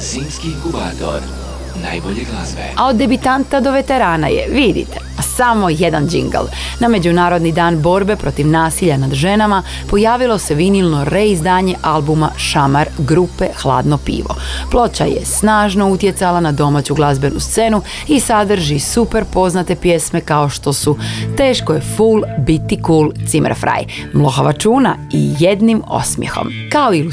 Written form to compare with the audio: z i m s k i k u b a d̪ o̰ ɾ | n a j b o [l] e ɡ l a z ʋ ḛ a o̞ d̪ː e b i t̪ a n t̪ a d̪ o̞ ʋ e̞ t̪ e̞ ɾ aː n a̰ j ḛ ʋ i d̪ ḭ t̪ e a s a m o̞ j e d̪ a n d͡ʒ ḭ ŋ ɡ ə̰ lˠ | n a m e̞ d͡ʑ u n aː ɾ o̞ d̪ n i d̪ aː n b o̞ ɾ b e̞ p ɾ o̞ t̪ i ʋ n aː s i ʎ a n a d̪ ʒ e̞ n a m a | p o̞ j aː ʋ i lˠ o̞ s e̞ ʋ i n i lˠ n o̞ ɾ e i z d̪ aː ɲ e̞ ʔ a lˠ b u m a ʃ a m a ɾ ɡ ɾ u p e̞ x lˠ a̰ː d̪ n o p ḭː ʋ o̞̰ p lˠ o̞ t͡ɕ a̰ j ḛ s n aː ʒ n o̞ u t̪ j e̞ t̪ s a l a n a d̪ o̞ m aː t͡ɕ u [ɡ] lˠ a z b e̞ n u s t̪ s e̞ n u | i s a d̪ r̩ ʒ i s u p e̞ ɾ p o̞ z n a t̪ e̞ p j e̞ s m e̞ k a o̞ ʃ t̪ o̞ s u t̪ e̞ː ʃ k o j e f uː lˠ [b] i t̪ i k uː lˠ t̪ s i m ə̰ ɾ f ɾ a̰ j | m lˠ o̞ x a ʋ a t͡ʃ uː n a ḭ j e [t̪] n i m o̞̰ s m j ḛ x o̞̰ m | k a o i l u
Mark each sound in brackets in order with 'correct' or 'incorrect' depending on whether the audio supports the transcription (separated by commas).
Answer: incorrect, correct, correct, incorrect